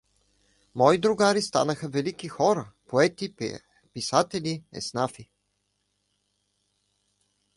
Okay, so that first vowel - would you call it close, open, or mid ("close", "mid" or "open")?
mid